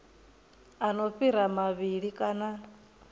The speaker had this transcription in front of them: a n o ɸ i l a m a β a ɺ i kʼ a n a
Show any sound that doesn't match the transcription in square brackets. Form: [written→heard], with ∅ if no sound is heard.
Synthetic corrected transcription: a n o ɸ i [l→ɾ] a m a β [a→i] ɺ i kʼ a n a